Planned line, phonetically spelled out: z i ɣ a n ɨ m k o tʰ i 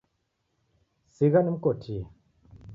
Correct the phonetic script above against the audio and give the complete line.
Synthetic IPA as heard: s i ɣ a n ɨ m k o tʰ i